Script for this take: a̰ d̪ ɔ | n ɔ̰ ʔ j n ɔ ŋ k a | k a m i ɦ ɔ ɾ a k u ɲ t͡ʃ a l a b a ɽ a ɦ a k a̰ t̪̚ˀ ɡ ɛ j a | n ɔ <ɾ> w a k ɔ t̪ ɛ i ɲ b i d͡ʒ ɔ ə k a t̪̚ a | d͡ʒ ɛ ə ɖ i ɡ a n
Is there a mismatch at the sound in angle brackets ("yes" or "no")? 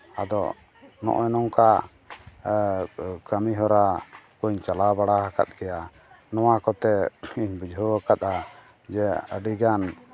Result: yes